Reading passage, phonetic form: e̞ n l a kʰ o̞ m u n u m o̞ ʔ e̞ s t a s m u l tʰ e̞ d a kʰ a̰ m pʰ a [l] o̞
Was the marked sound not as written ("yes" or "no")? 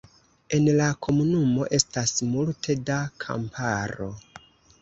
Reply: yes